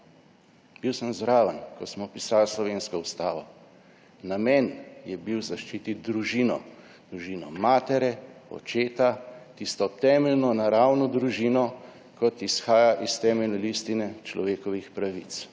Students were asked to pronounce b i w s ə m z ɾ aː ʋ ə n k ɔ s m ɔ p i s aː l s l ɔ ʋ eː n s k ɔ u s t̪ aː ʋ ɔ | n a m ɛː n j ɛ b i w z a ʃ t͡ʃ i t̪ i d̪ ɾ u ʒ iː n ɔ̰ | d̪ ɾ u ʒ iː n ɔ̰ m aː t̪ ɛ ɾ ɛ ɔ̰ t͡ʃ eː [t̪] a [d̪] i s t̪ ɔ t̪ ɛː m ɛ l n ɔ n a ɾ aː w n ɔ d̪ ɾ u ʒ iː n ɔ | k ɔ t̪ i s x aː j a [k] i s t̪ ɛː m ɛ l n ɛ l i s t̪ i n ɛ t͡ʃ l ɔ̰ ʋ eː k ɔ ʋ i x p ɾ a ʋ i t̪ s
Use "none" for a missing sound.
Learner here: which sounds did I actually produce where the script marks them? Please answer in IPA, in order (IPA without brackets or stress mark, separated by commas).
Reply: t̪, t̪, ʔ